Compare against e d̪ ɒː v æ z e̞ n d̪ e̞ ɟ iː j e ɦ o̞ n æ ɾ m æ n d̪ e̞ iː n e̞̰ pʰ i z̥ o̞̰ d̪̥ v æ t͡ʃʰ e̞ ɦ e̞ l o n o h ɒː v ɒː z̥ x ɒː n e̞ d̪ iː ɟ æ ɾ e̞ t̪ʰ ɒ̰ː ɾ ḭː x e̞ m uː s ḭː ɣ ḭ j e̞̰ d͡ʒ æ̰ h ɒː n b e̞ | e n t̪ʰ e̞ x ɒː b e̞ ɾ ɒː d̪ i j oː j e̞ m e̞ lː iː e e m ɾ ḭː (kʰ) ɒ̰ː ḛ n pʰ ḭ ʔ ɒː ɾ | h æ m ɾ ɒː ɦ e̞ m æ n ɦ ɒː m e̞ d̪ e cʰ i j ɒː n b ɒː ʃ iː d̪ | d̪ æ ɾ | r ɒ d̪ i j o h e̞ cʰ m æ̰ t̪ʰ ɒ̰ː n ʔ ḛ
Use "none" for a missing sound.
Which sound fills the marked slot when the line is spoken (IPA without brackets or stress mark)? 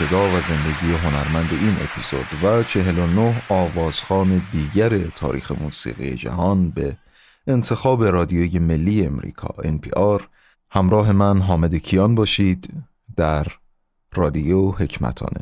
kʰ